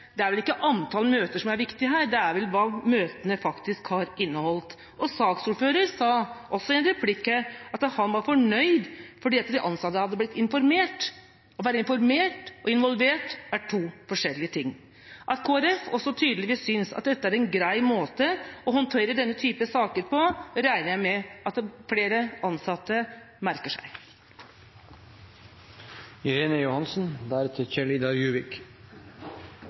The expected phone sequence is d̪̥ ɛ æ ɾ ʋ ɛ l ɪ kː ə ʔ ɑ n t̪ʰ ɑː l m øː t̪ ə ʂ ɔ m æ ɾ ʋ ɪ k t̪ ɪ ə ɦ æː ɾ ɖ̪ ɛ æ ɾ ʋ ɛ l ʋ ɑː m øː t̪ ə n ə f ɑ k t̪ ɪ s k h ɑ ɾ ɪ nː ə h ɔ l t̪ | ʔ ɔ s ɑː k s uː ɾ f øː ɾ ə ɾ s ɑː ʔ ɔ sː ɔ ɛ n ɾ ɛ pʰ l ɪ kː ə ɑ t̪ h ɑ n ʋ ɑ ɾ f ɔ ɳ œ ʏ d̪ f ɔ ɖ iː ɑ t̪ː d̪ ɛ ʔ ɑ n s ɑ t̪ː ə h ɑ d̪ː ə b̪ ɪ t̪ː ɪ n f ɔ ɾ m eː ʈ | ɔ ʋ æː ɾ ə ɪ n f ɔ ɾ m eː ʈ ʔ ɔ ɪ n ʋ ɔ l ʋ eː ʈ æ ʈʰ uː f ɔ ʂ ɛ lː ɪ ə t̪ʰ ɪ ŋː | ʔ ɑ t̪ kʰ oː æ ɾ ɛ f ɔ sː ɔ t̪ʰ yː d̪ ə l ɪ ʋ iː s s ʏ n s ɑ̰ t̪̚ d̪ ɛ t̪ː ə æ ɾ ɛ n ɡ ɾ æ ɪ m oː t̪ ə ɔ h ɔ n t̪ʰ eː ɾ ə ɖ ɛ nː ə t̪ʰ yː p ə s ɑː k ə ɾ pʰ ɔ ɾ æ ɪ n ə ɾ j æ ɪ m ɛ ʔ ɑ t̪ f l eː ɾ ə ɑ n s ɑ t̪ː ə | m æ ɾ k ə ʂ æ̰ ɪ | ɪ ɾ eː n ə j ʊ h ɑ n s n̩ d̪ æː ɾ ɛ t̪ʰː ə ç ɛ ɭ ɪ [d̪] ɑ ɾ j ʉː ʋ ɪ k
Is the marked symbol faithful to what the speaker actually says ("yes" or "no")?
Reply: yes